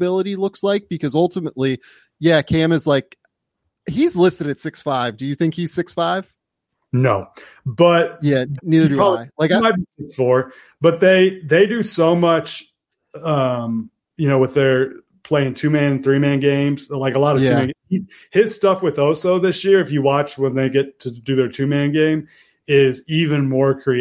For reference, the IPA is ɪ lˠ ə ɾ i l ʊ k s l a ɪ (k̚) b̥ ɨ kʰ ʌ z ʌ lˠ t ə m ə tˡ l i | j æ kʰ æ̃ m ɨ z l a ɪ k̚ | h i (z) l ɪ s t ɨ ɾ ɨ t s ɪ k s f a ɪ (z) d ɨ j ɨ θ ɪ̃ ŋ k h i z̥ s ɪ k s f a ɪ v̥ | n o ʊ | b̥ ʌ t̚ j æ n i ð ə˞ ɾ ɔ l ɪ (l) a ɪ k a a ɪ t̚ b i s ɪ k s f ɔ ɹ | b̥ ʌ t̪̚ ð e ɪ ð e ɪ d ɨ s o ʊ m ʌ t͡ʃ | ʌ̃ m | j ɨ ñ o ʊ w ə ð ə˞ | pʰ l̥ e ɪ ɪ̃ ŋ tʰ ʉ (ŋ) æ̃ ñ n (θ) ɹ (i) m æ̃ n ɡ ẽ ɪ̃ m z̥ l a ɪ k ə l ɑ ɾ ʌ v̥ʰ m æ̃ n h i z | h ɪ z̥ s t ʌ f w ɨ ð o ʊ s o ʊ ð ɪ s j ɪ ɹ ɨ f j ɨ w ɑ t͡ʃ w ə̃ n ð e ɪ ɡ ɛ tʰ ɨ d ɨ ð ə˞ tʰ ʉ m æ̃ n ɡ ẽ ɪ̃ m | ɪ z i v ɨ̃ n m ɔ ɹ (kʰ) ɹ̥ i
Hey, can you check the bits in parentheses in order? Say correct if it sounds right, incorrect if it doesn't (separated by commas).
correct, correct, incorrect, correct, incorrect, correct, correct, correct